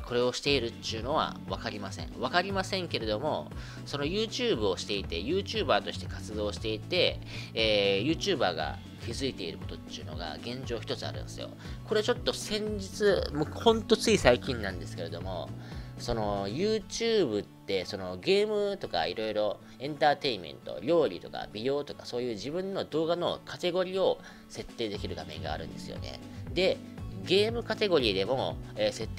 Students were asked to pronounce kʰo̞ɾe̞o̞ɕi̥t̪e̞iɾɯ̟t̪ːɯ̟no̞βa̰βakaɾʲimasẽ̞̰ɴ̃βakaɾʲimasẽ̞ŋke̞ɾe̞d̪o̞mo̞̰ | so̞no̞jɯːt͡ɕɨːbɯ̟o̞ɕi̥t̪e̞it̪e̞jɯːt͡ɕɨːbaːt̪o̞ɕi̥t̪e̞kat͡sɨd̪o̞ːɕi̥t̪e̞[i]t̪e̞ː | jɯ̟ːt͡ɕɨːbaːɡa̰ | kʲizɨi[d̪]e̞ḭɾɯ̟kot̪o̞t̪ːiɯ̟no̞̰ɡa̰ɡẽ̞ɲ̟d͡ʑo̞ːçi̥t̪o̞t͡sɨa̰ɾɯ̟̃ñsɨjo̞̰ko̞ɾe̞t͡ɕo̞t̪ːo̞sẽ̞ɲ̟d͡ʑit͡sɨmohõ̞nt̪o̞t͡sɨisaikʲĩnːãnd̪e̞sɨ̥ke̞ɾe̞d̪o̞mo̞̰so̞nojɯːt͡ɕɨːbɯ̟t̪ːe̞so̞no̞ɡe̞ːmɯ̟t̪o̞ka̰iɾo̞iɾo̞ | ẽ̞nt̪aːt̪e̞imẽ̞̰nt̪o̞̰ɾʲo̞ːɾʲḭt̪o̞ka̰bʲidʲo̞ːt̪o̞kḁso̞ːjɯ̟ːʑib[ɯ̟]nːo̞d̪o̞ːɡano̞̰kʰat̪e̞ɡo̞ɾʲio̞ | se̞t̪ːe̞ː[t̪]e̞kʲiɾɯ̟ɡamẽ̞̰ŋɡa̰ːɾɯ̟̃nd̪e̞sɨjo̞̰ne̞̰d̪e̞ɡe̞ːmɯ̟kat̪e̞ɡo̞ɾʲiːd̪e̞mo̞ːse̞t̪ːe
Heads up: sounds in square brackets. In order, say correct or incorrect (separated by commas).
correct, incorrect, incorrect, incorrect